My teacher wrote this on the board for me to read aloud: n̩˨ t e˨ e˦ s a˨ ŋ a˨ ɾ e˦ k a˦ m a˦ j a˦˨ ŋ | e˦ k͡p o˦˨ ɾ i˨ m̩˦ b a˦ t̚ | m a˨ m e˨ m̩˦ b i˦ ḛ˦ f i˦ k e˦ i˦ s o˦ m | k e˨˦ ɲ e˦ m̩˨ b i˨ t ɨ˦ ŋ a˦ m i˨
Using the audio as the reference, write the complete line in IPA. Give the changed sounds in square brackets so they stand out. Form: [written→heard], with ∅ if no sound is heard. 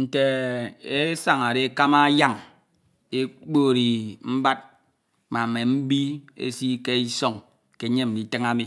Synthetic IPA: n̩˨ t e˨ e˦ s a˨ ŋ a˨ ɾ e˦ k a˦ m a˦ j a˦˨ ŋ | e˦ k͡p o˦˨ ɾ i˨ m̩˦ b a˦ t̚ | m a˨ m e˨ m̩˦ b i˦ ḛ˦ [f→s] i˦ k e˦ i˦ s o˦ [m→ŋ] | k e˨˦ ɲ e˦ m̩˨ [b→d] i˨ t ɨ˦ ŋ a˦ m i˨